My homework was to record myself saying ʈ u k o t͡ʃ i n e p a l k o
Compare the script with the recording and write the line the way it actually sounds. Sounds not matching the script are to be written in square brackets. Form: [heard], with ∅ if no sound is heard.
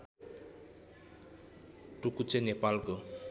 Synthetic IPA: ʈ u k [u] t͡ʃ [e] n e p a l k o